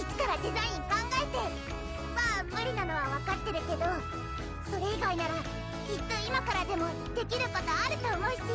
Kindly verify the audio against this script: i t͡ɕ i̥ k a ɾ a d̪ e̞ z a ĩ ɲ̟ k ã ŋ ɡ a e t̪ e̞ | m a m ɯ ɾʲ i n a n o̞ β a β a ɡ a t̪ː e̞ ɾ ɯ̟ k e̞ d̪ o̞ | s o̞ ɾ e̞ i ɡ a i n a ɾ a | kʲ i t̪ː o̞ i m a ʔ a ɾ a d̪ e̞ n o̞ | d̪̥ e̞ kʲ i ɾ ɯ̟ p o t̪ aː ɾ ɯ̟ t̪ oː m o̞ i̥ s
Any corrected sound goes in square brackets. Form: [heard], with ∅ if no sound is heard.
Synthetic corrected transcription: i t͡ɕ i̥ k a ɾ a d̪ e̞ z a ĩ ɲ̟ k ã ŋ ɡ a e t̪ e̞ | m a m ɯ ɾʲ i n a n o̞ β a β a [k] a t̪ː e̞ ɾ ɯ̟ k e̞ d̪ o̞ | s o̞ ɾ e̞ i ɡ a i n a ɾ a | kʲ i t̪ː o̞ i m a [k] a ɾ a d̪ e̞ [m] o̞ | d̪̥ e̞ kʲ i ɾ ɯ̟ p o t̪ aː ɾ ɯ̟ t̪ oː m o̞ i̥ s